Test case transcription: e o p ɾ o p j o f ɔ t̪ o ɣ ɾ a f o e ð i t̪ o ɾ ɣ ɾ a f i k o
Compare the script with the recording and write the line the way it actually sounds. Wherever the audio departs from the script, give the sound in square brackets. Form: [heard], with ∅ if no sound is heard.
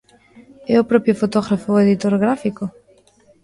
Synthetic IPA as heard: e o p ɾ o p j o f [o] t̪ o ɣ ɾ a f o e ð i t̪ o ɾ ɣ ɾ a f i k o